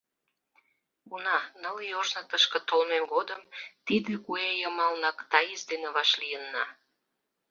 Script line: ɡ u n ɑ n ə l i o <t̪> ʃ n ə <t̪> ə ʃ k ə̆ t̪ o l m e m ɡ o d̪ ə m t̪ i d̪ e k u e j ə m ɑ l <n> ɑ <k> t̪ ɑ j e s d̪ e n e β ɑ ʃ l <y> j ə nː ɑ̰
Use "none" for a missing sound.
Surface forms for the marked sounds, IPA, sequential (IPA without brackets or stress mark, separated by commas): none, t̪, n, k, i